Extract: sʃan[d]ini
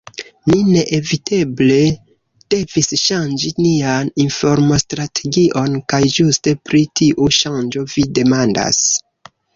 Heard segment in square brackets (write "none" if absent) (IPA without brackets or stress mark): d͡ʒ